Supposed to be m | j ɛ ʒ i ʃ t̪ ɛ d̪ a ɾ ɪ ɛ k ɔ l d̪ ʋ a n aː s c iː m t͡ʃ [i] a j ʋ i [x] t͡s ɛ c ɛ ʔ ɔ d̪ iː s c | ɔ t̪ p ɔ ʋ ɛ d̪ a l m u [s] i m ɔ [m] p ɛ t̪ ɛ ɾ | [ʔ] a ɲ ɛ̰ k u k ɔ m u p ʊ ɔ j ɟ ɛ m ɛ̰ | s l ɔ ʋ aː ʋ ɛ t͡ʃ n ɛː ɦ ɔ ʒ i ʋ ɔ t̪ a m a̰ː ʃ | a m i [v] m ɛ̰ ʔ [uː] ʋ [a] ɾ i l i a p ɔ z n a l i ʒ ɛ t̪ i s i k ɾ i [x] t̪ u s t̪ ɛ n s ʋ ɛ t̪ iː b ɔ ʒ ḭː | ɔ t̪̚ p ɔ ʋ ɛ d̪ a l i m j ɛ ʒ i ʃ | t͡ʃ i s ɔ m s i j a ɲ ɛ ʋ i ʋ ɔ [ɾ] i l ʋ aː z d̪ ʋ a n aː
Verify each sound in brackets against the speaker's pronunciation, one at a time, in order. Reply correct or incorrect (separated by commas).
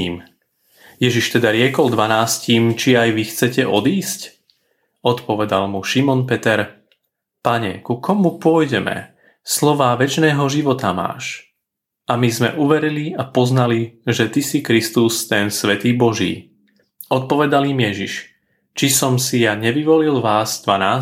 correct, correct, incorrect, incorrect, incorrect, incorrect, incorrect, incorrect, incorrect, incorrect